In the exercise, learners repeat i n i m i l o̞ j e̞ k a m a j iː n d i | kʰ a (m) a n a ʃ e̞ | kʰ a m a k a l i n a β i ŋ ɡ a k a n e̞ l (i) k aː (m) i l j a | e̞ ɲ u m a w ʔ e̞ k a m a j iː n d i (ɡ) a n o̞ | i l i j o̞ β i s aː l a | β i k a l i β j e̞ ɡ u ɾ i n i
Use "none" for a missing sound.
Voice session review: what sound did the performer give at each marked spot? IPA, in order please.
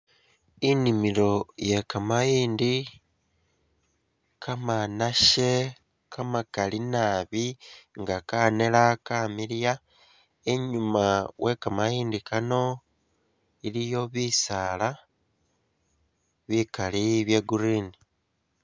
m, a, m, k

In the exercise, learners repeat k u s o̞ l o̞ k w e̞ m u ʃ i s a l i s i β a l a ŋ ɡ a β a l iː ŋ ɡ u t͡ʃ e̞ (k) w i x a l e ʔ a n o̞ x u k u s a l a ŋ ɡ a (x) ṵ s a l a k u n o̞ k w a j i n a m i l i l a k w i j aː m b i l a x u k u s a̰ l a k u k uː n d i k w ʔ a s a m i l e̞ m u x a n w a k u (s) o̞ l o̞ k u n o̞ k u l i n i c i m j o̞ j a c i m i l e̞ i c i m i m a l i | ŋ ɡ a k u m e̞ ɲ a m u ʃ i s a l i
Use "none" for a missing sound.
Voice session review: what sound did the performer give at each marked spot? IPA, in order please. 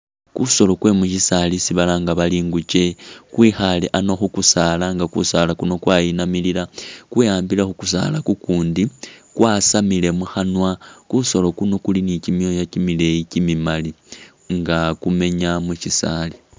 k, k, s

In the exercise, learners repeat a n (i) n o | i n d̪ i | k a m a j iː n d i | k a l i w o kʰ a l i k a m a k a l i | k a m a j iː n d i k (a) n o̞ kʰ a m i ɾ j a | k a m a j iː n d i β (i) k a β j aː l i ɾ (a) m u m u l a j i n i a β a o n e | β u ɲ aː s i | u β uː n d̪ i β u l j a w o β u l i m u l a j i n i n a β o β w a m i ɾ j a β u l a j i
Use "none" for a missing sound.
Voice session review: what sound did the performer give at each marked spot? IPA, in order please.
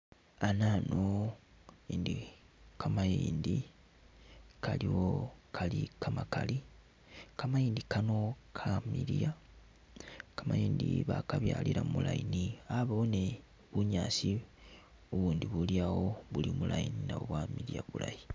a, a, a, a

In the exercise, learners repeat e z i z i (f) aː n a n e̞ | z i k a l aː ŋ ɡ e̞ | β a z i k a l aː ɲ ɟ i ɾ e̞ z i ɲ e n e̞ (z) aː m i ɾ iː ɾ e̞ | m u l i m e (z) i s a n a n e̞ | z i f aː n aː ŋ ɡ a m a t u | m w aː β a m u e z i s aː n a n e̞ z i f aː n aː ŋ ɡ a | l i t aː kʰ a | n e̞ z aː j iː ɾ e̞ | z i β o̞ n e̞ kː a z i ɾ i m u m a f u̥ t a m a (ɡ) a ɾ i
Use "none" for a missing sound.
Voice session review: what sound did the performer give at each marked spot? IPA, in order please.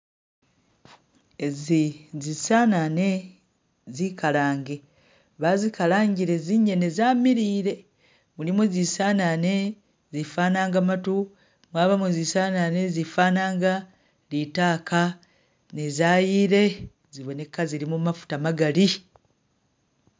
s, z, z, ɡ

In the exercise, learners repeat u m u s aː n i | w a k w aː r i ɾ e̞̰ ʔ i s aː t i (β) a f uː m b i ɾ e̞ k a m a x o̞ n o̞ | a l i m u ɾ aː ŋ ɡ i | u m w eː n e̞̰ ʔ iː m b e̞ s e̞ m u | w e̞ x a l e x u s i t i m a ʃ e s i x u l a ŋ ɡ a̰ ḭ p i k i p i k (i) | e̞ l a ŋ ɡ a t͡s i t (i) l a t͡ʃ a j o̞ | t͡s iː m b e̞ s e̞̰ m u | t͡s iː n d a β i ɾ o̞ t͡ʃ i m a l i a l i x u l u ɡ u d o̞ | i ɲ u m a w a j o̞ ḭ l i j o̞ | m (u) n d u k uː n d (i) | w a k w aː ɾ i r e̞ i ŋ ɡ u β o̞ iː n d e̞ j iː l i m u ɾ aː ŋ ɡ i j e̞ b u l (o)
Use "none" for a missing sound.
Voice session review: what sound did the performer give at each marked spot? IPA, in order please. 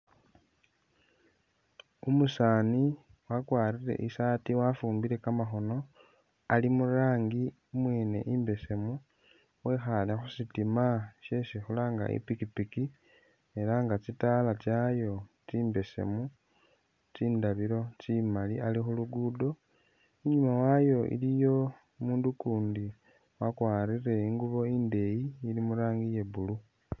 w, i, a, uː, i, u

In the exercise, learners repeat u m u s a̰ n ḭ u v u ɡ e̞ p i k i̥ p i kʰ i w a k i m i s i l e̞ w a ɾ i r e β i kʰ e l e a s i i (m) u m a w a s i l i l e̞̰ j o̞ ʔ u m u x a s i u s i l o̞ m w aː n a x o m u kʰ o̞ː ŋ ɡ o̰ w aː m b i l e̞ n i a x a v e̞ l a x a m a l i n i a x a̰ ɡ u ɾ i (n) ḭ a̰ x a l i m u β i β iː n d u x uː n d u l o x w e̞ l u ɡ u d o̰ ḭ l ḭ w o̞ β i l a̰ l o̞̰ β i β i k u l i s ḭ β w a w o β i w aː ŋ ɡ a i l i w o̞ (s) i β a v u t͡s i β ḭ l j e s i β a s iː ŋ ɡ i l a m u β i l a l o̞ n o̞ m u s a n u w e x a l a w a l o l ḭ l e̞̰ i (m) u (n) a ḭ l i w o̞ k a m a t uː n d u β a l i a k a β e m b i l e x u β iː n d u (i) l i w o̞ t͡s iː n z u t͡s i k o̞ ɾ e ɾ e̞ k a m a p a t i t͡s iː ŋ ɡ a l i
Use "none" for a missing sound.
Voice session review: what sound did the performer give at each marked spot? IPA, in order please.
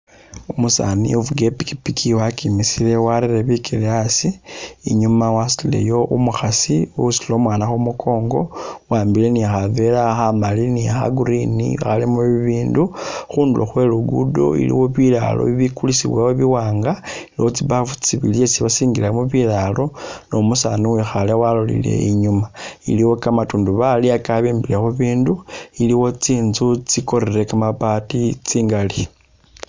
ɲ, n, t͡s, ɲ, m, i

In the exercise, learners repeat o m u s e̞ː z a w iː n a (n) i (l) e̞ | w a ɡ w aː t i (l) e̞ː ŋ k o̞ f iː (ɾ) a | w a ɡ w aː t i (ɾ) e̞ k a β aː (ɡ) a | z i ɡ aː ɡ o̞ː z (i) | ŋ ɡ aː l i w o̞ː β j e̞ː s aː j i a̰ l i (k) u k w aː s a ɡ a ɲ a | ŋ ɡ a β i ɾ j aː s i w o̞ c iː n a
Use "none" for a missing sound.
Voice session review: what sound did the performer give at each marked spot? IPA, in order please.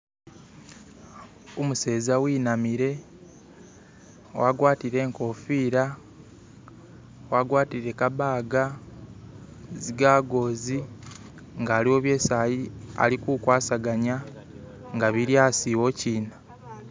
m, ɾ, ɾ, ɾ, ɾ, ɡ, i, k

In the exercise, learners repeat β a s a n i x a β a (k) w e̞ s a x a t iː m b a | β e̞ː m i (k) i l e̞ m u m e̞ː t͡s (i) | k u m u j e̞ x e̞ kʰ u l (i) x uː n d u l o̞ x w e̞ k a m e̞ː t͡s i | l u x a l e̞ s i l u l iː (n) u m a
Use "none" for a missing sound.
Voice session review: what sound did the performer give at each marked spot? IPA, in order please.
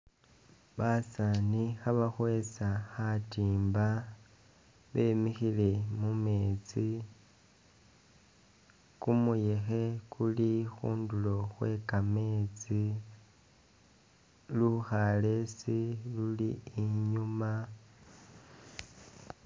x, x, i, i, ɲ

